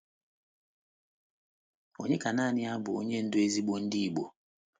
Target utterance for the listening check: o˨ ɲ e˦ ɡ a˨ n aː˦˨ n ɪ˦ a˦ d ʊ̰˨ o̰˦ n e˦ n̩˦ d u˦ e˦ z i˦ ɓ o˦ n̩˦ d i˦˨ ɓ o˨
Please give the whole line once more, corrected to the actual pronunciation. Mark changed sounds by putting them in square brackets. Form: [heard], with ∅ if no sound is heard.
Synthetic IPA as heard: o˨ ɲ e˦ [k] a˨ n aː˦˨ n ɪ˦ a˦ [b] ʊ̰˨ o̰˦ [ɲ] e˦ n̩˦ d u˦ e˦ z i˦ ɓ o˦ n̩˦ d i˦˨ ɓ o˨